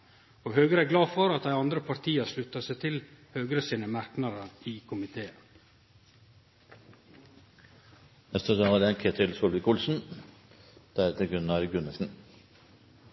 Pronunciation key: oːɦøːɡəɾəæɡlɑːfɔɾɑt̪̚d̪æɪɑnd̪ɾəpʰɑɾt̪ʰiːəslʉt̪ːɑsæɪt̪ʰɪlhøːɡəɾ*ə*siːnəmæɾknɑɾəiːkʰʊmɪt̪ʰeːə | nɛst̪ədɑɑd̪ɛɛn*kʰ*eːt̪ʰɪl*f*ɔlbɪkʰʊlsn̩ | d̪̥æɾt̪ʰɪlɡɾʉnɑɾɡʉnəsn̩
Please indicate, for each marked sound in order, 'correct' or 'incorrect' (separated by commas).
correct, correct, incorrect